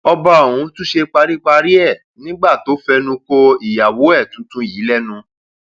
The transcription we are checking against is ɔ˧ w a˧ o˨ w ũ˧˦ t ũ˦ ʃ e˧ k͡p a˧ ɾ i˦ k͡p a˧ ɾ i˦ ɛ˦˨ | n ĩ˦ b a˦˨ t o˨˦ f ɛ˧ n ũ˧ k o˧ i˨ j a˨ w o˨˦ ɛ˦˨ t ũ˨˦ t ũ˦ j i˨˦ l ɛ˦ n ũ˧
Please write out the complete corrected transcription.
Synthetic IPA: ɔ˧ b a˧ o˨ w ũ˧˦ t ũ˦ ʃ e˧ k͡p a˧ ɾ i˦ k͡p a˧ ɾ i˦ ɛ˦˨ | n ĩ˦ ɡ͡b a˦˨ t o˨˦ f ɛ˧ n ũ˧ k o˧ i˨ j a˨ w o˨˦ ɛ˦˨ t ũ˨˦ t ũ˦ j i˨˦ l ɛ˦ n ũ˧